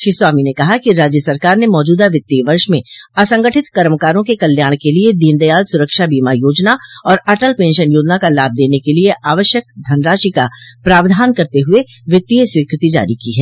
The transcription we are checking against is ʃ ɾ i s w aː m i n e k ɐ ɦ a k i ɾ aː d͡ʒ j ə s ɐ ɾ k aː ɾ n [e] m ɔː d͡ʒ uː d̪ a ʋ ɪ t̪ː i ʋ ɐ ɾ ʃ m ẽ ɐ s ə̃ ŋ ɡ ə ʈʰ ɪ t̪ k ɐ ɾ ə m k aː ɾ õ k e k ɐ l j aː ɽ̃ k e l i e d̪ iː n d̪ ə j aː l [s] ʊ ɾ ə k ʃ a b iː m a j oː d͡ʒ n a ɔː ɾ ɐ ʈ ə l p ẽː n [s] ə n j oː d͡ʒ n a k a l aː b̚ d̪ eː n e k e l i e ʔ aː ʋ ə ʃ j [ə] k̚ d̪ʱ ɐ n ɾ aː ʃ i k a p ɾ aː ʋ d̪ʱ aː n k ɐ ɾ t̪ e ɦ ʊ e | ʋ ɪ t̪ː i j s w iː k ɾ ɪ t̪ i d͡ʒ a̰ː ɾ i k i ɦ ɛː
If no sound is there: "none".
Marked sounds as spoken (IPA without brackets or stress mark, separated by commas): e, s, ʃ, ə